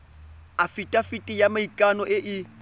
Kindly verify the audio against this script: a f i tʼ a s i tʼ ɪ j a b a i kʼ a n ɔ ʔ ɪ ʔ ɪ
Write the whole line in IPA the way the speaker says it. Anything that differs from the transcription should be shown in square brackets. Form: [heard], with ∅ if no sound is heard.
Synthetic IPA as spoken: a f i tʼ a [f] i tʼ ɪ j a [m] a i kʼ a n ɔ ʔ ɪ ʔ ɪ